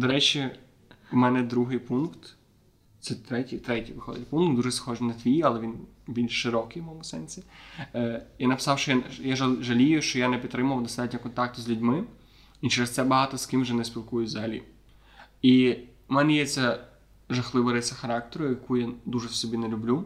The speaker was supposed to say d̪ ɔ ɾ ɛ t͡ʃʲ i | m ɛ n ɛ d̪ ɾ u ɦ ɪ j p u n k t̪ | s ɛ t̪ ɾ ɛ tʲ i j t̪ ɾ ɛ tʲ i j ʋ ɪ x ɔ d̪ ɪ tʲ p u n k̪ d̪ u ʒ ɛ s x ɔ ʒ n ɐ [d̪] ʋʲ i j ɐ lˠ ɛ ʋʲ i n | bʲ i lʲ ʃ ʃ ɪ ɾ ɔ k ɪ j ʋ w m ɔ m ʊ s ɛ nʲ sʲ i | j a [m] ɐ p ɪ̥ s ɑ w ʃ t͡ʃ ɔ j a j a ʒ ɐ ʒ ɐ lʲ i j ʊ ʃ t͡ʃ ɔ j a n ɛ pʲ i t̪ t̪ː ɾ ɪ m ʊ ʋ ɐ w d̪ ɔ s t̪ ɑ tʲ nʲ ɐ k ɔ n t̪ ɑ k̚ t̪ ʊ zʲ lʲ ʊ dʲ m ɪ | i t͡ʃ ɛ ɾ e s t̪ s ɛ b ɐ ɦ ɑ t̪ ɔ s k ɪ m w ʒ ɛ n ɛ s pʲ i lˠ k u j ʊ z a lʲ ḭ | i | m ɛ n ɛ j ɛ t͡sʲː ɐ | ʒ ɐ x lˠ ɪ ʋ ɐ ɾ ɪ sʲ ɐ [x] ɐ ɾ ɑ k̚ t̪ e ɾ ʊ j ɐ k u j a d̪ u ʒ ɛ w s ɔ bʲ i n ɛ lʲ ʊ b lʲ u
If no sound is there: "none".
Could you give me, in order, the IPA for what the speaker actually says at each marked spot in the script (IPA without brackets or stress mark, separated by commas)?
t̪, n, x